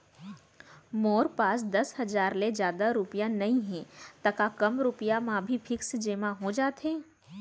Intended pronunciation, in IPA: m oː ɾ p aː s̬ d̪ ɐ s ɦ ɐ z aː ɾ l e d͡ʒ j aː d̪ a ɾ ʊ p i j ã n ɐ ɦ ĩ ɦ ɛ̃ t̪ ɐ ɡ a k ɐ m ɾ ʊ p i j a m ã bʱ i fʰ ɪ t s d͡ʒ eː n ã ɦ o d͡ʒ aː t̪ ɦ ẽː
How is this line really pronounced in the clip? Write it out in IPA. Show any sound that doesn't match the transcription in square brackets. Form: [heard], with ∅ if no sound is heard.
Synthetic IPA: m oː ɾ p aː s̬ d̪ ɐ s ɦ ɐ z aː ɾ l e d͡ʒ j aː d̪ a ɾ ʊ p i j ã n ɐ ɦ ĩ ɦ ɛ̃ t̪ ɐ [k] a k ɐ m ɾ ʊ p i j a m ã bʱ i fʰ ɪ [k] s d͡ʒ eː [m] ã ɦ o d͡ʒ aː t̪ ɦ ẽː